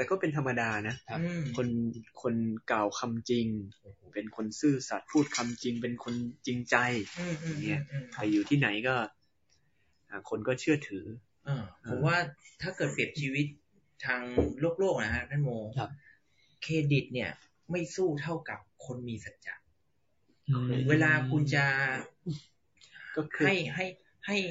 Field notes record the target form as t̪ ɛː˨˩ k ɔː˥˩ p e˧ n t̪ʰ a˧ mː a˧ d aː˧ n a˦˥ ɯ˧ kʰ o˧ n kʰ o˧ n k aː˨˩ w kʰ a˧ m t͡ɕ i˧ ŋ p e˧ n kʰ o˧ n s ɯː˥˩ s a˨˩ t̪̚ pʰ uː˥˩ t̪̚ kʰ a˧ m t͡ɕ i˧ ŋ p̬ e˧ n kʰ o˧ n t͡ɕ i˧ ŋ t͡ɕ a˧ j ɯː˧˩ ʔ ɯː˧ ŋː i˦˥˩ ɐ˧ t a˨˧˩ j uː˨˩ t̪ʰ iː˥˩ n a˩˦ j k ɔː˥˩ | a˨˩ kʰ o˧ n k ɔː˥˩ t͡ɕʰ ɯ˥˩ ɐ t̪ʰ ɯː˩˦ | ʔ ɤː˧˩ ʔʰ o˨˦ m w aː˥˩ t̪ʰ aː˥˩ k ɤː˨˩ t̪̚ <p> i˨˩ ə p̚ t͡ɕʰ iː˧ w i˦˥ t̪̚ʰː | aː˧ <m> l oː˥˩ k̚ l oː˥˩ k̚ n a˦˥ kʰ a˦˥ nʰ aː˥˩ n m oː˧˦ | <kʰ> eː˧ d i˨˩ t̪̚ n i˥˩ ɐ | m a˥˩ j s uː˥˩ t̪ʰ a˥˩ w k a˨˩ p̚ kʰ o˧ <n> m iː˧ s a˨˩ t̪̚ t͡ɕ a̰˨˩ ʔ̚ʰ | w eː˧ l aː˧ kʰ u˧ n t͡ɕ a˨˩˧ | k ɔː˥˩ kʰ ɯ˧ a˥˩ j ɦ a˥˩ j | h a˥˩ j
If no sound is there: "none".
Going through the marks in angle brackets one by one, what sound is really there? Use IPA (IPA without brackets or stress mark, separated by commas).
p, ŋ, kʰ, n